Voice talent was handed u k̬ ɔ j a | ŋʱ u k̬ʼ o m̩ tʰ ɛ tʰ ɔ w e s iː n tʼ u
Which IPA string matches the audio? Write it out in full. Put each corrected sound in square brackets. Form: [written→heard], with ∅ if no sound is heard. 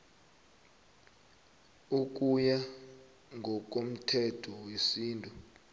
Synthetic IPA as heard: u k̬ [ɔ→u] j a | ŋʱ [u→ɔ] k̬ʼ o m̩ tʰ ɛ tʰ ɔ w e s iː n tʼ u